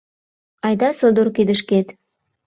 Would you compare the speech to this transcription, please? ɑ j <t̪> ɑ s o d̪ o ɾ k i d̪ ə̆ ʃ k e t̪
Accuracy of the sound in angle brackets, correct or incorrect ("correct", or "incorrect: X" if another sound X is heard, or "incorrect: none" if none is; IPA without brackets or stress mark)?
incorrect: d̪